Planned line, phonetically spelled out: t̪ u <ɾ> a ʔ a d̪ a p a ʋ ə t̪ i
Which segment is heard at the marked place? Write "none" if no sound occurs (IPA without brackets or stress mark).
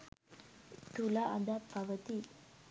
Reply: l